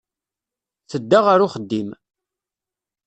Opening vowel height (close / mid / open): mid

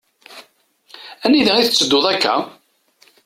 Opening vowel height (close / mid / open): open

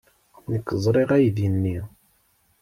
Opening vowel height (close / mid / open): mid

